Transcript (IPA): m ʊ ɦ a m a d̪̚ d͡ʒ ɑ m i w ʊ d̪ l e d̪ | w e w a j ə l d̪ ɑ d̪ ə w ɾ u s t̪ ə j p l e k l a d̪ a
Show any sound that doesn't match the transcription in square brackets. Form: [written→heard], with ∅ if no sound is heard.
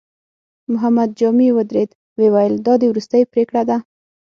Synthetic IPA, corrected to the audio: m ʊ ɦ a m a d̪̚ d͡ʒ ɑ m i w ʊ d̪ [l→ɾ] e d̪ | w e w a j ə l d̪ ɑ d̪ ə w ɾ u s t̪ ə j p [l→ɾ] e k [l→ɽ] a d̪ a